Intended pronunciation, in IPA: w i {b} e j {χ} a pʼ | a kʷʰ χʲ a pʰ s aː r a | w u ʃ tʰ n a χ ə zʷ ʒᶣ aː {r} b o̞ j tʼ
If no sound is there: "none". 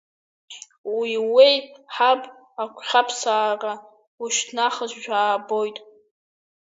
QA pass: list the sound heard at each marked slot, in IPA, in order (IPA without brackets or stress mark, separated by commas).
w, ħ, none